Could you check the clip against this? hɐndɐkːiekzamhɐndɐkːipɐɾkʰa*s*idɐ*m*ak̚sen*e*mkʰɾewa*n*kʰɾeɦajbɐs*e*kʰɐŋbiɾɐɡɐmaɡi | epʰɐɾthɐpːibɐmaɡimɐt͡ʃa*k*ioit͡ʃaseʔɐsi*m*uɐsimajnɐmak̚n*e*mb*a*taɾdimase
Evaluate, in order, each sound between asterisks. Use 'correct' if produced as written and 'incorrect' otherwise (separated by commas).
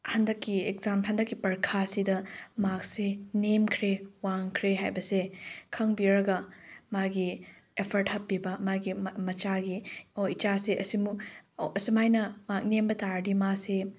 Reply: correct, correct, correct, incorrect, correct, incorrect, correct, correct, incorrect